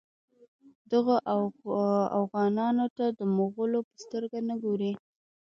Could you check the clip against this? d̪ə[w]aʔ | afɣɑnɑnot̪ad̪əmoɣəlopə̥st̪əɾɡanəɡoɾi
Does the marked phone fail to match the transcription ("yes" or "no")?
yes